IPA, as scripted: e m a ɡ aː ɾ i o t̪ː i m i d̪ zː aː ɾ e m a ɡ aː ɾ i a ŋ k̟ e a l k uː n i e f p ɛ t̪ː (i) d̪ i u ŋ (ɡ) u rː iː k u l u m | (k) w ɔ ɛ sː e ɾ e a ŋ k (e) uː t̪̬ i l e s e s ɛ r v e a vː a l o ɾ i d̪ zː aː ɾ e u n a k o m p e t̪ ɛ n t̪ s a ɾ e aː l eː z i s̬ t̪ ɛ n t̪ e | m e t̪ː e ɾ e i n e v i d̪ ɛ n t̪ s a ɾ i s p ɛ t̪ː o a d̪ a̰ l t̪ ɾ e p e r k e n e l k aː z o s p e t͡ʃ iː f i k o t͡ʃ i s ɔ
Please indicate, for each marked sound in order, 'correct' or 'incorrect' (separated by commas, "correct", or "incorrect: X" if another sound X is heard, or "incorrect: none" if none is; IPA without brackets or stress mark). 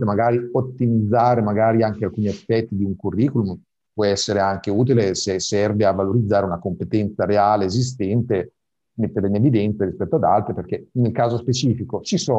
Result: correct, incorrect: k, incorrect: p, correct